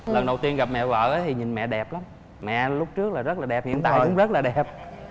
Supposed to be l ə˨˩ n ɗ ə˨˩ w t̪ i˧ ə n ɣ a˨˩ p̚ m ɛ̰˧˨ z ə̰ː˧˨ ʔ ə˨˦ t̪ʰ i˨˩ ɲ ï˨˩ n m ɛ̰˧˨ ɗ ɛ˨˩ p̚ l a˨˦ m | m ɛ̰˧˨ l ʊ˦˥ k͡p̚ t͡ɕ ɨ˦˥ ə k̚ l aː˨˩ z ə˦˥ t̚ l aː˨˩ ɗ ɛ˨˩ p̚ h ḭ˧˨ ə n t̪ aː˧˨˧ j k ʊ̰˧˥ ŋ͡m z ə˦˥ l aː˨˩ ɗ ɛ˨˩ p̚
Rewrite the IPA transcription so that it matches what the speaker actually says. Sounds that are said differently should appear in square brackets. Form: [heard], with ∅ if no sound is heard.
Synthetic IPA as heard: l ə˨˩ n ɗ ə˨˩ w t̪ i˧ ə n ɣ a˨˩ p̚ m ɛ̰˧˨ [v] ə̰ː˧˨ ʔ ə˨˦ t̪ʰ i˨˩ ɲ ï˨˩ n m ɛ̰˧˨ ɗ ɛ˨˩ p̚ l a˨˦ m | m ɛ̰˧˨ l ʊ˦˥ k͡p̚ t͡ɕ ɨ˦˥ ə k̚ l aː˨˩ z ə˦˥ t̚ l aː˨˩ ɗ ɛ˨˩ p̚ h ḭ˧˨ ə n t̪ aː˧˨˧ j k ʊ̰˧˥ ŋ͡m z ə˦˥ l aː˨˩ ɗ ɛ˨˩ p̚